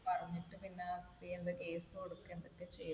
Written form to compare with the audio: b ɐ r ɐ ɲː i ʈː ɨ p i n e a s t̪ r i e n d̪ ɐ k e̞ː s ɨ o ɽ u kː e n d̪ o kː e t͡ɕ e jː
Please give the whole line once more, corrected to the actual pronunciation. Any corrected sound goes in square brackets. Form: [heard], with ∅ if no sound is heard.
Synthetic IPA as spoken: [p] ɐ r ɐ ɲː i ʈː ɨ p i [nː] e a s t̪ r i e n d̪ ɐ k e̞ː s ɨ o ɽ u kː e n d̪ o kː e t͡ɕ e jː